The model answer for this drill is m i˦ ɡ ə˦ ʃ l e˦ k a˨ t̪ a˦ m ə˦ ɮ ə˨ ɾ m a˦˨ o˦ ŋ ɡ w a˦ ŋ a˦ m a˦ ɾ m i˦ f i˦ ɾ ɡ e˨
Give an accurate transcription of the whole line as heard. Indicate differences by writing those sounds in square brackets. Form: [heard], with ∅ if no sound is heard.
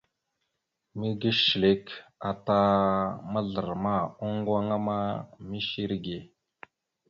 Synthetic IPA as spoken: m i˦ ɡ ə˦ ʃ l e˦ k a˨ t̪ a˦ m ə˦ ɮ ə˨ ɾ m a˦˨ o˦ ŋ ɡ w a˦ ŋ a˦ m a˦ [∅] m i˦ [ʃ] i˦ ɾ ɡ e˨